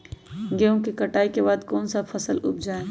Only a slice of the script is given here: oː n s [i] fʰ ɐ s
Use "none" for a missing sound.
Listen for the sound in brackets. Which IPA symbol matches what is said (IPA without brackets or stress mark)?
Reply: a